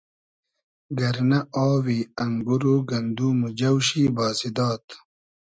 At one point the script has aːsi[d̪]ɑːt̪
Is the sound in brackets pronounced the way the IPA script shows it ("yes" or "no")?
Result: yes